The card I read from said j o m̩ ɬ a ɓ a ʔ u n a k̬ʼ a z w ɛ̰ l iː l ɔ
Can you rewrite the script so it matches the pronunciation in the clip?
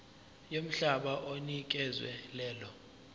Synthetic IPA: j o m̩ ɬ a ɓ a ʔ o n i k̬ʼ ɛ z w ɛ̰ l ɛː l ɔ

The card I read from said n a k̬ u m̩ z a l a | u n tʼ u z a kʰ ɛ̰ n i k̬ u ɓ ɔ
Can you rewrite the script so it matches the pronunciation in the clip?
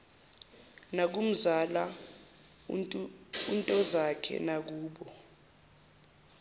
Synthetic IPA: n a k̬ u m̩ z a l a | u n tʼ ɔ z a kʰ ɛ̰ n a k̬ uː ɓ ɔ

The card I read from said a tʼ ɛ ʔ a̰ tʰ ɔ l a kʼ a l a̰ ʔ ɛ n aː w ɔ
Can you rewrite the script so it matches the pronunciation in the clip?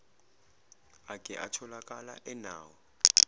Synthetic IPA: a kʼ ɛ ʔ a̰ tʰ ɔ l a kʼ a l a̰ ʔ ɛ n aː w ɔ

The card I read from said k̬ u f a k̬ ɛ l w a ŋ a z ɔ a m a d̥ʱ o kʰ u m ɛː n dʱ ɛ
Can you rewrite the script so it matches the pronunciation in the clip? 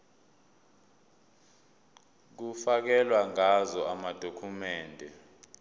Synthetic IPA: k̬ u f a k̬ ɛ l w a ŋ a z ɔ a m a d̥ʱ o kʰ u m ɛː n dʱ ɛ

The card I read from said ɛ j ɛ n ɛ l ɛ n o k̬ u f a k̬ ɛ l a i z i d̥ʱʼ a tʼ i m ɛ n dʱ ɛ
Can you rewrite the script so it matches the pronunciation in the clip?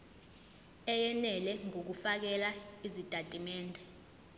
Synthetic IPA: ɛ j ɛ n ɛ l ɛ ŋ o k̬ u f a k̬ ɛ l a i z i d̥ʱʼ a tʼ i m ɛː n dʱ ɛ

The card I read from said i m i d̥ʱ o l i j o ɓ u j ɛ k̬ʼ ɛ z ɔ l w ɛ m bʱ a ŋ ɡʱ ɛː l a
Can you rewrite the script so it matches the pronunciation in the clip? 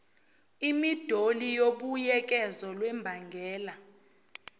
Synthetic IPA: i m i d̥ʱ o l i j o ɓ u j ɛ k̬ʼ ɛ z ɔ l w ɛ m bʱ a ŋ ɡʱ ɛː l a

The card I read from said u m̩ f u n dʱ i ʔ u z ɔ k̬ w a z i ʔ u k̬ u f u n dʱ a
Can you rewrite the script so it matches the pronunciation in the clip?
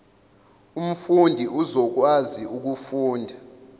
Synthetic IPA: u m̩ f u n dʱ i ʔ u z ɔ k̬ w a z i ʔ u k̬ u f uː n dʱ a

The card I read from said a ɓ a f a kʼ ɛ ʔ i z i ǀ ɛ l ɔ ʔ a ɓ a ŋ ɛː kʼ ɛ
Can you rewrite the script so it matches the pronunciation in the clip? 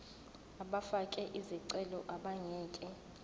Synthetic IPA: a ɓ a f a kʼ ɛ ʔ i z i ǀ ɛ l ɔ ʔ a ɓ a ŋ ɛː kʼ ɛ

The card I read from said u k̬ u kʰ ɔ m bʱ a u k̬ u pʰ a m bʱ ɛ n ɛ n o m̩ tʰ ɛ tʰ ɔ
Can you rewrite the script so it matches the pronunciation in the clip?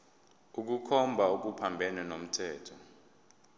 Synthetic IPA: u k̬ u kʰ ɔ m bʱ a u k̬ u pʰ a m bʱ ɛ n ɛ n o m̩ tʰ ɛː tʰ ɔ

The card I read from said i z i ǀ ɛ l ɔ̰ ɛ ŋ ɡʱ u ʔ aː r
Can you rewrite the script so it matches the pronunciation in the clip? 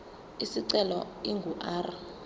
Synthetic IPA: i s i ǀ ɛ l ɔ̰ i ŋ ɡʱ u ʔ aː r

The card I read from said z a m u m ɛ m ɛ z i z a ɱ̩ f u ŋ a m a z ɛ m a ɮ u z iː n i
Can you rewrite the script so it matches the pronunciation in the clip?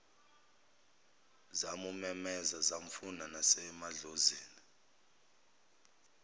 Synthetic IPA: z a m u m ɛ m ɛ z a z a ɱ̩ f u n a n a s ɛ m a ɮ o z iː n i

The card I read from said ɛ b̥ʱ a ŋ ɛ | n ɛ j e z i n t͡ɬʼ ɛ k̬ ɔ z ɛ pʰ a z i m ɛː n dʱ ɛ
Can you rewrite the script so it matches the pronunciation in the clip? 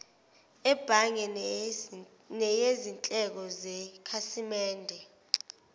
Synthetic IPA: ɛ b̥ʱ a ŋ ɛ | n ɛ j e z i n t͡ɬʼ ɛ k̬ ɔ z ɛ kʰ a s i m ɛː n dʱ ɛ

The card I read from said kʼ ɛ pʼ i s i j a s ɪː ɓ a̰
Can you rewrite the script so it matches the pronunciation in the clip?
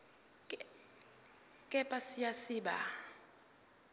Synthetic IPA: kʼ ɛ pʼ a s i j a s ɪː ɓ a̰

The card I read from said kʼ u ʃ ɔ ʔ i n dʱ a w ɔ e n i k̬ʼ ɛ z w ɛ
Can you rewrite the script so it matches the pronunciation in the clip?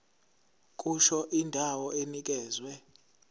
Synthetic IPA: kʼ u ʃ ɔ ʔ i n dʱ a w ɔ e n i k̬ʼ ɛː z w ɛ

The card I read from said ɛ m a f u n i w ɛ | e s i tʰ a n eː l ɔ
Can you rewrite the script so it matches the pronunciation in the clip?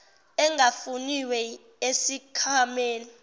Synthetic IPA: ɛ ŋ a f u n i w ɛ | e s i kʰ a m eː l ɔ

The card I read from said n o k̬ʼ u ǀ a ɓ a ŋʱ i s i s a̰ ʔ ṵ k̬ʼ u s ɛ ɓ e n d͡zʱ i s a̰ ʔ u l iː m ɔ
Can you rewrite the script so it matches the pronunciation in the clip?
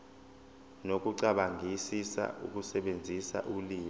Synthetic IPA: n o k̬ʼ u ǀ a ɓ a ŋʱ i s i s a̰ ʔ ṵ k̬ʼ u s ɛ ɓ e n d͡zʱ i s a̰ ʔ u l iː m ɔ

